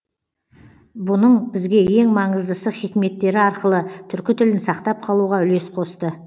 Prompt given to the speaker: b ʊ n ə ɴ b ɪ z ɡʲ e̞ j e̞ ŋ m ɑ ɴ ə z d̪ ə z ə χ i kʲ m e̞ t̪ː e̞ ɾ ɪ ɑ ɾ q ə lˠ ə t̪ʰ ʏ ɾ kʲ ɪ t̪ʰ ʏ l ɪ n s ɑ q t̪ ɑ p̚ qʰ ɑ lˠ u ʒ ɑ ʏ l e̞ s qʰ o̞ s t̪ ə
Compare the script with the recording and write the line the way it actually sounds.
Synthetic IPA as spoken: b ʊ n ə ɴ b ɪ z ɡʲ e̞ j e̞ ŋ m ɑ ɴ ə z d̪ ə s ə χ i kʲ m e̞ t̪ː e̞ ɾ ɪ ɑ ɾ q ə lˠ ə t̪ʰ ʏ ɾ kʲ ɪ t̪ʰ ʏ l ɪ n s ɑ q t̪ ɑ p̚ qʰ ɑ lˠ u ʁ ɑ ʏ l e̞ s qʰ o̞ s t̪ ə